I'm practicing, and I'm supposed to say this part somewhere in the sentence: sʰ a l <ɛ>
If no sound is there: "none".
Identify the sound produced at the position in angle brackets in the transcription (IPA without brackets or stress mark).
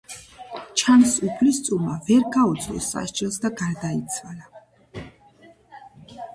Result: a